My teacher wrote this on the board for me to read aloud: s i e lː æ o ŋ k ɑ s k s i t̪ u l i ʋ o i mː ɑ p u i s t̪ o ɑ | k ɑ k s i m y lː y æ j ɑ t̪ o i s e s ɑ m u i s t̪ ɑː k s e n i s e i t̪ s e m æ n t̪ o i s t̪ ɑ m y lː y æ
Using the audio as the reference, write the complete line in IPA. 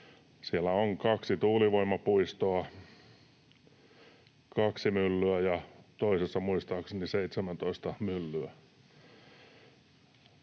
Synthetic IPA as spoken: s i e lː æ o ŋ k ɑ k s i t̪ uː l i ʋ o i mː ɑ p u i s t̪ o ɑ | k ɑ k s i m y lː y æ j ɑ t̪ o i s e sː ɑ m u i s t̪ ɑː k s e n i s e i t̪ s e m æ n t̪ o i s t̪ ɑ m y lː y æ

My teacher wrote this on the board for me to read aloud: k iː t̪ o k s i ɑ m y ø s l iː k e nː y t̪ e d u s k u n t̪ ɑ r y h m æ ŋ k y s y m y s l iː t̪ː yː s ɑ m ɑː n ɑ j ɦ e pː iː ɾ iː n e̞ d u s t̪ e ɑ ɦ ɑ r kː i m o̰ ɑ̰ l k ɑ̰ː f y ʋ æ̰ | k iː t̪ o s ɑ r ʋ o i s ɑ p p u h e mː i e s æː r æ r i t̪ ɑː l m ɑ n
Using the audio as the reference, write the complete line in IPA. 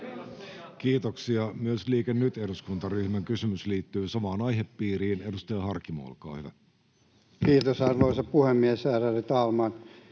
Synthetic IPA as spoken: k iː t̪ o k s i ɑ m y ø s l iː k e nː y t̪ e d u s k u n t̪ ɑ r y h m æ ŋ k y s y m y s l iː t̪ː yː s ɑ m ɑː n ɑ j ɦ e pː iː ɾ iː n e̞ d u s t̪ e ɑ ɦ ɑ r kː i m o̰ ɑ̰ l k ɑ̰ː h y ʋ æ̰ | k iː t̪ o s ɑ r ʋ o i s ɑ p p u h e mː i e s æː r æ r i t̪ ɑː l m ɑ n

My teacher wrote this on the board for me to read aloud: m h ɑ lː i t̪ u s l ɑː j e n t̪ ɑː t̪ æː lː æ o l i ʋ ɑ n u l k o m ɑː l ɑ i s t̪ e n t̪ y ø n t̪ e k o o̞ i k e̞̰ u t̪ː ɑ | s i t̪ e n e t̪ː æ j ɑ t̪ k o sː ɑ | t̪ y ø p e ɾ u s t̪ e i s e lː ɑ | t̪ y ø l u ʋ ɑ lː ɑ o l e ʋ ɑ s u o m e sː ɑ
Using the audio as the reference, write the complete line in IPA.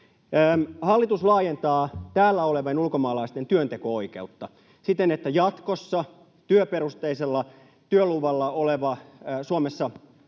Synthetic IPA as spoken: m h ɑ lː i t̪ u s l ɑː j e n t̪ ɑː t̪ æː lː æ o l e ʋ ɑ n u l k o m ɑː l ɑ i s t̪ e n t̪ y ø n t̪ e k o o̞ i k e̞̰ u t̪ː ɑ | s i t̪ e n e t̪ː æ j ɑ t̪ k o sː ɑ | t̪ y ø p e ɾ u s t̪ e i s e lː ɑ | t̪ y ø l u ʋ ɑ lː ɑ o l e ʋ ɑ s u o m e sː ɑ

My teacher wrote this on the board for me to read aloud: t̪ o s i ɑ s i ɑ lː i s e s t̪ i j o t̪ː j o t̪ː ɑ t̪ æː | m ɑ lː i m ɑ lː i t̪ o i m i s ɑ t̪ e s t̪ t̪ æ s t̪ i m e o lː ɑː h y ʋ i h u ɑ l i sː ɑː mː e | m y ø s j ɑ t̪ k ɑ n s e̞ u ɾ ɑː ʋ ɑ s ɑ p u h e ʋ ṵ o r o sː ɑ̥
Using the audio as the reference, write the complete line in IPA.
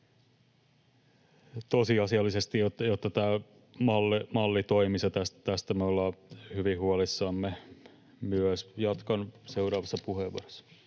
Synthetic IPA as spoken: t̪ o s i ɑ s i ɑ lː i s e s t̪ i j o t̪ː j o t̪ː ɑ t̪ æː | m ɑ lː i m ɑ lː i t̪ o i m i s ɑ t̪ æ s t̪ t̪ æ s t̪ æ m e o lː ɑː h y ʋ i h u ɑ l i sː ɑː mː e | m y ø s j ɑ t̪ k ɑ n s e̞ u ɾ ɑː ʋ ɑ sː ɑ p u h e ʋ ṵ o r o sː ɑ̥

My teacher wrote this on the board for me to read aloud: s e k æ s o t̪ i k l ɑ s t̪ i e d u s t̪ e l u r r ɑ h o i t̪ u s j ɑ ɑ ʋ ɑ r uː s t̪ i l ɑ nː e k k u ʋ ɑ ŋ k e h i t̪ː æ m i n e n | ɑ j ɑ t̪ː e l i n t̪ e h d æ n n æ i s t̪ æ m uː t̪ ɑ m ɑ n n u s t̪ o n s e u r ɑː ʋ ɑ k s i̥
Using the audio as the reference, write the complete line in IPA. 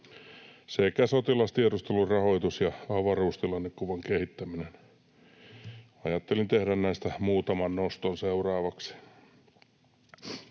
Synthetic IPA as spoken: s e k æ s o t̪ i l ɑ s t̪ i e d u s t̪ e l u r r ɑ h o i t̪ u s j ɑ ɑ ʋ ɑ r uː s t̪ i l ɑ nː e k k u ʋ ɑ ŋ k e h i t̪ː æ m i n e n | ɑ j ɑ t̪ː e l i n t̪ e h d æ n n æ i s t̪ æ m uː t̪ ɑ m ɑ n n o s t̪ o n s e u r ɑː ʋ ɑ k s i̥

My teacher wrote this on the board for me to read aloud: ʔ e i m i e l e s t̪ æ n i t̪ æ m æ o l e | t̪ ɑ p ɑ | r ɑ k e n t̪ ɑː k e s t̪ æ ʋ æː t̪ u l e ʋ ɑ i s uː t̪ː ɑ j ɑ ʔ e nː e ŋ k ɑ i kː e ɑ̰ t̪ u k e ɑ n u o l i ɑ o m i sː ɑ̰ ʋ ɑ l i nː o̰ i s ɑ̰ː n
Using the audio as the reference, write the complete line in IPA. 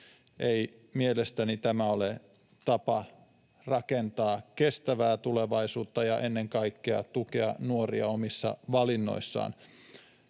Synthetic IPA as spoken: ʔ e i m i e l e s t̪ æ n i t̪ æ m æ o l e | t̪ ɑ p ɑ | r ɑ k e n t̪ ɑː k e s t̪ æ ʋ æː t̪ u l e ʋ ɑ i s uː t̪ː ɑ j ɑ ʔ e nː e ŋ k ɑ i kː e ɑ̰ t̪ u k e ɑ n u o r i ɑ o m i sː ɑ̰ ʋ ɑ l i nː o̰ i sː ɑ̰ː n

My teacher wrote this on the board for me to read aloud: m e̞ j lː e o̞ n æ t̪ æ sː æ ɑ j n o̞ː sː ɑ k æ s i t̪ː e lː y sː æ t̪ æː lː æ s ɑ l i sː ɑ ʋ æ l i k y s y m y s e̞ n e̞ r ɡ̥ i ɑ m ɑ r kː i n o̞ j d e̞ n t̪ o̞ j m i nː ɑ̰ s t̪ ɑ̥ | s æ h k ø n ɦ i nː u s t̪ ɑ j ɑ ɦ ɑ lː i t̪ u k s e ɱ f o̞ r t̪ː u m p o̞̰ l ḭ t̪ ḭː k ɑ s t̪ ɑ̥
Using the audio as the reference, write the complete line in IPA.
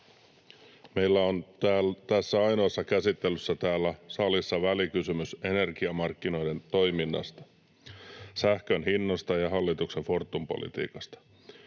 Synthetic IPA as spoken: m e̞ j lː æ o̞ n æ t̪ æ sː æ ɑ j n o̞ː sː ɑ k æ s i t̪ː e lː y sː æ t̪ æː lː æ s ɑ l i sː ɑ ʋ æ l i k y s y m y s e̞ n e̞ r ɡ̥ i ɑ m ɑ r kː i n o̞ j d e̞ n t̪ o̞ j m i nː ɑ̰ s t̪ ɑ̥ | s æ h k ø n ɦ i nː o s t̪ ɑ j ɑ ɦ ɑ lː i t̪ u k s e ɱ f o̞ r t̪ː u m p o̞̰ l ḭ t̪ ḭː k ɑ s t̪ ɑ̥

